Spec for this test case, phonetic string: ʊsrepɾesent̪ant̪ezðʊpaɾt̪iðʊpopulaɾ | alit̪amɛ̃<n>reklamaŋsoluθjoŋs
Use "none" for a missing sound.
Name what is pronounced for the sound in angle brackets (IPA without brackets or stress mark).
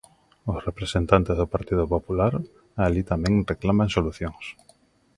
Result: ŋ